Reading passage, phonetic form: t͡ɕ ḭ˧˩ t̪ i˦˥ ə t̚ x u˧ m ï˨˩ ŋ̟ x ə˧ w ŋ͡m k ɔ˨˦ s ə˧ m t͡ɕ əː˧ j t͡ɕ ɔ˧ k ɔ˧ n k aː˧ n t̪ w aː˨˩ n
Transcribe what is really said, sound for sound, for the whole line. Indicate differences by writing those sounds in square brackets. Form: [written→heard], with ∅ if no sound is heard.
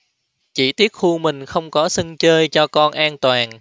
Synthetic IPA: t͡ɕ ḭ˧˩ t̪ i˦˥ ə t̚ x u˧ m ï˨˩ ŋ̟ x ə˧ w ŋ͡m k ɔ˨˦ s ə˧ [m→ŋ] t͡ɕ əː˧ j t͡ɕ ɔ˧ k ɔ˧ n [k→ʔ] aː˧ n t̪ w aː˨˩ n